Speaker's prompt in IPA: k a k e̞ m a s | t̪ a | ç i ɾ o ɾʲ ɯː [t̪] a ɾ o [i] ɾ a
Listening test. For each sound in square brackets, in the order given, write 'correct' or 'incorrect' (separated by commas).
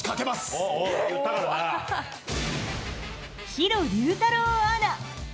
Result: correct, incorrect